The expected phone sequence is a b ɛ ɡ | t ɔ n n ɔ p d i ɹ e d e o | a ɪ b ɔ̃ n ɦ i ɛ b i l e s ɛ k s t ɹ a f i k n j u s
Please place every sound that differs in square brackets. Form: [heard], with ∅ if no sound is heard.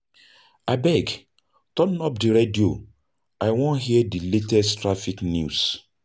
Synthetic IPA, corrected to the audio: a b ɛ ɡ | t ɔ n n ɔ p d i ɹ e d [i] o | a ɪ [w] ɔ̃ n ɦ i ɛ [d] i l e [t] ɛ [∅] s t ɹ a f i k n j u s